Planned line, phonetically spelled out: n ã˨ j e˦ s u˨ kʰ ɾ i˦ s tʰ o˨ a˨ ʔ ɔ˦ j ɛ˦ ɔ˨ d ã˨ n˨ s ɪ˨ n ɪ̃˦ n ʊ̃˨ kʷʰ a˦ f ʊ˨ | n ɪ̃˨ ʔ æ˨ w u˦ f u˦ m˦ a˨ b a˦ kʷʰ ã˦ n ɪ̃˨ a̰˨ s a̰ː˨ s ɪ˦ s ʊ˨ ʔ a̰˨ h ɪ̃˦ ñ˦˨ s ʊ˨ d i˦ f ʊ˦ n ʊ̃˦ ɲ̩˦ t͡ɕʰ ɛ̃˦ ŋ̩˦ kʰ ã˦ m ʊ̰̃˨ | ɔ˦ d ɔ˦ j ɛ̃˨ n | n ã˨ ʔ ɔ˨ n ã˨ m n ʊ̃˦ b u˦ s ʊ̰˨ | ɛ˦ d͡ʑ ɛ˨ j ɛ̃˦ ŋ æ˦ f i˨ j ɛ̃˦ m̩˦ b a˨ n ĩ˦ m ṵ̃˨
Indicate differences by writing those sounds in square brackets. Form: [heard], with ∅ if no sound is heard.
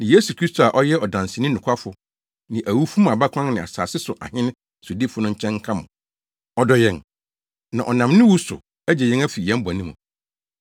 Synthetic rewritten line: n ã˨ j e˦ s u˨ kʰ ɾ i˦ s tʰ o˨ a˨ ʔ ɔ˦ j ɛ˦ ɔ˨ d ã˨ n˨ s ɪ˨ n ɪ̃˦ n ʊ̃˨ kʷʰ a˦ f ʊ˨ | n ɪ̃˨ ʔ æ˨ w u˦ f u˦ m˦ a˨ b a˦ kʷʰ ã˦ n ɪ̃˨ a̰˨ s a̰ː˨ s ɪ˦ s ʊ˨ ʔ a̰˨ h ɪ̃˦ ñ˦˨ s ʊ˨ d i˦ f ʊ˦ n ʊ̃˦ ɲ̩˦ t͡ɕʰ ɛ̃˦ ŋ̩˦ kʰ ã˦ m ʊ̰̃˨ | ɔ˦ d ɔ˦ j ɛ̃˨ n | n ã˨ ʔ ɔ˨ n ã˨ m n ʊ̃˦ [w] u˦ s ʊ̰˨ | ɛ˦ d͡ʑ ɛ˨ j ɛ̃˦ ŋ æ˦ f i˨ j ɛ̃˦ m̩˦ b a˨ n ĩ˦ m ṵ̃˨